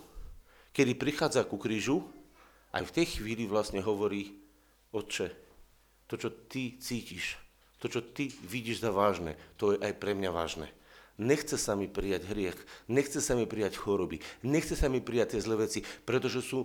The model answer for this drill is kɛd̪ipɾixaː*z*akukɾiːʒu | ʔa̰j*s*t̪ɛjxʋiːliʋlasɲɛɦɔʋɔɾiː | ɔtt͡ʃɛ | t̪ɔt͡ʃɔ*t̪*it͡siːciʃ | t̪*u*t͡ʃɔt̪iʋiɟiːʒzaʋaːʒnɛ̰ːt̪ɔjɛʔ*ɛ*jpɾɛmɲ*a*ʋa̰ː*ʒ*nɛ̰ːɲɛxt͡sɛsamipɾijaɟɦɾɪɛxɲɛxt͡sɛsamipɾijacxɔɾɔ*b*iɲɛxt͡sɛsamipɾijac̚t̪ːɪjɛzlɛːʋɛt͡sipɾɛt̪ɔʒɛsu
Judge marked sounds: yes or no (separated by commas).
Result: no, no, yes, no, no, yes, yes, yes